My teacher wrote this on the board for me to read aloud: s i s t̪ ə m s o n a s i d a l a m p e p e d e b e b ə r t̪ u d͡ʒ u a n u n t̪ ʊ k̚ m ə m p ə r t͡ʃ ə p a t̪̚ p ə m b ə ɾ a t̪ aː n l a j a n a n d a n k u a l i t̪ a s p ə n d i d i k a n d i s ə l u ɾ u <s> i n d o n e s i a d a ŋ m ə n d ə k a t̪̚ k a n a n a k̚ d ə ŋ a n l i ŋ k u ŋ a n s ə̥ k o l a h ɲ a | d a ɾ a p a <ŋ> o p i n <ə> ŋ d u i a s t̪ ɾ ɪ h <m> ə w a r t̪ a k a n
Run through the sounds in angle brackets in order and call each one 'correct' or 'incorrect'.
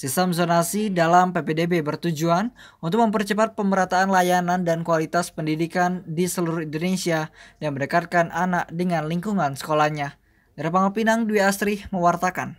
incorrect: h, correct, incorrect: a, correct

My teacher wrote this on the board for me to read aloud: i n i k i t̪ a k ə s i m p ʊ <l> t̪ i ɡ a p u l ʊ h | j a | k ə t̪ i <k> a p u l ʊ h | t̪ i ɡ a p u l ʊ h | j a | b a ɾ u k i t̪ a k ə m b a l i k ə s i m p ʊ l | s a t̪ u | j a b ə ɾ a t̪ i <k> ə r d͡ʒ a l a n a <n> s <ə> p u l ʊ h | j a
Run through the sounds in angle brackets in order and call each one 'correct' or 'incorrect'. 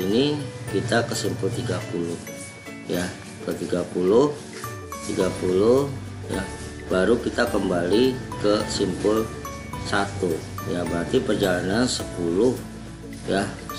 correct, incorrect: ɡ, incorrect: p, correct, correct

